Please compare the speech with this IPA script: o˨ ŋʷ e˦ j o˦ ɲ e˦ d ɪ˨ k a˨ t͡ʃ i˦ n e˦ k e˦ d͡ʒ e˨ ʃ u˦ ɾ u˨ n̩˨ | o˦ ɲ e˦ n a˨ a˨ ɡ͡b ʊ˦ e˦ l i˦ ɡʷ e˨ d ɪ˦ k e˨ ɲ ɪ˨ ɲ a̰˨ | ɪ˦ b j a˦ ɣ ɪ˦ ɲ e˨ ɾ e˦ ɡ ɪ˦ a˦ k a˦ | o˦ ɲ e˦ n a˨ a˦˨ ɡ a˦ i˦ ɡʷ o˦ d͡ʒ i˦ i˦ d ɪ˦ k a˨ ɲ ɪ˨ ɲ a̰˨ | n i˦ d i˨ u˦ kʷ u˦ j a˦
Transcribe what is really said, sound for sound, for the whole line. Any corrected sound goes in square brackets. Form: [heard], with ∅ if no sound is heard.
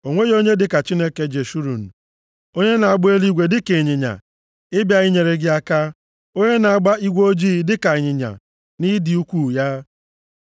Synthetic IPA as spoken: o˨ ŋʷ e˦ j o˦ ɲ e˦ d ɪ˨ k a˨ t͡ʃ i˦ n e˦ k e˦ d͡ʒ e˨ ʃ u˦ ɾ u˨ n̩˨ | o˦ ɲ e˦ n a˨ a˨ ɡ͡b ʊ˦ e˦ l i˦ ɡʷ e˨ d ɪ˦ k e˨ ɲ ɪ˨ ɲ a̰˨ | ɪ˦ b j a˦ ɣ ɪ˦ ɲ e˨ ɾ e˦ ɡ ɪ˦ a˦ k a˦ | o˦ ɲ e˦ n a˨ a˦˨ [ɡ͡b] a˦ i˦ ɡʷ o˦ d͡ʒ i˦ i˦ d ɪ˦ k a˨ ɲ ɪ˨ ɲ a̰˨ | n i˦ d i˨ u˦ kʷ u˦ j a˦